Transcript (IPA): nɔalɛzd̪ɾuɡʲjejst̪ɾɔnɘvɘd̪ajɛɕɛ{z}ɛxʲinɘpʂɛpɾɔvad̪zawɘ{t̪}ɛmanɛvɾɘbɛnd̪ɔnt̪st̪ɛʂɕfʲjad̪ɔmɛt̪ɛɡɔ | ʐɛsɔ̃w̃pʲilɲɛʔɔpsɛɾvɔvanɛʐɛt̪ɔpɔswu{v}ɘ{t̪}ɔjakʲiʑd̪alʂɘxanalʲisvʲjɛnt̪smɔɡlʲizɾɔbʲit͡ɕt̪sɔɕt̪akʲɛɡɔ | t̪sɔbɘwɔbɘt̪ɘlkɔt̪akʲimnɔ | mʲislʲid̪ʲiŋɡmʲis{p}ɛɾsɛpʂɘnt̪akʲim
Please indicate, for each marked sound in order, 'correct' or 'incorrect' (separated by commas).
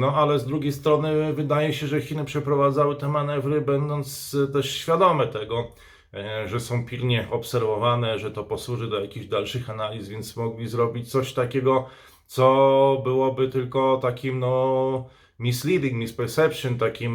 incorrect, correct, incorrect, incorrect, correct